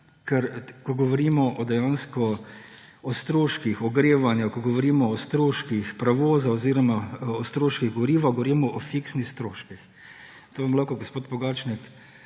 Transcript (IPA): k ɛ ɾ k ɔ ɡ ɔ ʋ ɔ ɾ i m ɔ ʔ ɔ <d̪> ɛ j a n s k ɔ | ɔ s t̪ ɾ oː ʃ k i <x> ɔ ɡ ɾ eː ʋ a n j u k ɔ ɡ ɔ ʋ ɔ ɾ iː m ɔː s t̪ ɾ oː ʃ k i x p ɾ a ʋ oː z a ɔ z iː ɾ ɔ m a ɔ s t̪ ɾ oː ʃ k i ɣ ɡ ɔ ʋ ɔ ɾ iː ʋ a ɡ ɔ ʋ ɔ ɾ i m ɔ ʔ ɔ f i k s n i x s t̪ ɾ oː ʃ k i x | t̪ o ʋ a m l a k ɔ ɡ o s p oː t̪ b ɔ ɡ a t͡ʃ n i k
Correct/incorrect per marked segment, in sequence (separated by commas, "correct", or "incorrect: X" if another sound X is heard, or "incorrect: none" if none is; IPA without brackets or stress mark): correct, correct